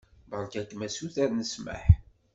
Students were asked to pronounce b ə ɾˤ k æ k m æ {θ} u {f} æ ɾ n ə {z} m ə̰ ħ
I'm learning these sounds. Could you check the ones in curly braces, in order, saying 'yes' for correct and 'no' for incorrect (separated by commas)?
no, no, no